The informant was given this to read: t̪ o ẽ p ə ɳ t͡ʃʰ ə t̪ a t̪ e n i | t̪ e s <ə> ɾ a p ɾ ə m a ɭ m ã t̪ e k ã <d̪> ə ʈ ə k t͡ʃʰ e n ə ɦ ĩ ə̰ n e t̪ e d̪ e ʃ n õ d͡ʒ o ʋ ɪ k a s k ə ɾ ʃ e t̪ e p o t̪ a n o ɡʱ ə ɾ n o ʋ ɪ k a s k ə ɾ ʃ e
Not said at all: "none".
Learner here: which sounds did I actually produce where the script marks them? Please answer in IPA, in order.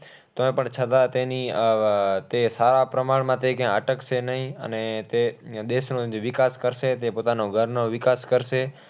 a, none

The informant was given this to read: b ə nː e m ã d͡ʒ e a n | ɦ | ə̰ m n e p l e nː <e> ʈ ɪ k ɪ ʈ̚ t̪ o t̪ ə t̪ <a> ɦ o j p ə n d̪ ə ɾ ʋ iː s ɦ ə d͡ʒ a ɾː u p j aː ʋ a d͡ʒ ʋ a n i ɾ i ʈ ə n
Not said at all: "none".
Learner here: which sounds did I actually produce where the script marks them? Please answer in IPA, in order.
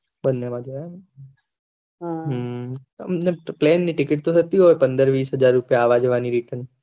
i, i

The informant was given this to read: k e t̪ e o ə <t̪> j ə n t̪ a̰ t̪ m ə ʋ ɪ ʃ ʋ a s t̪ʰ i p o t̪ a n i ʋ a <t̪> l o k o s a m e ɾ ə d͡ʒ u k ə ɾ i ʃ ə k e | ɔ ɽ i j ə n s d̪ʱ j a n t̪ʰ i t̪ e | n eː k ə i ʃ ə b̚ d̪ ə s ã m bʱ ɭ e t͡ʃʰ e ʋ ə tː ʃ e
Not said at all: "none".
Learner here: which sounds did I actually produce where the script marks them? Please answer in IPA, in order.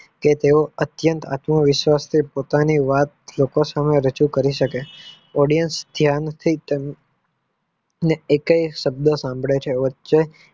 t̪, t̪

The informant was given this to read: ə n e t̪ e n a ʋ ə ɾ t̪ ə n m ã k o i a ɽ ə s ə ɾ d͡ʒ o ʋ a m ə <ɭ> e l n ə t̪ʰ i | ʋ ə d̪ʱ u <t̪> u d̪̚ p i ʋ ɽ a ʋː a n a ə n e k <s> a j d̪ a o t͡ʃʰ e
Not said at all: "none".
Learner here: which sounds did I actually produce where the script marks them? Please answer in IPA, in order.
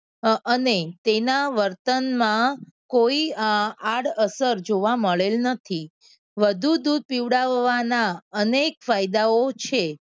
ɭ, d̪, f

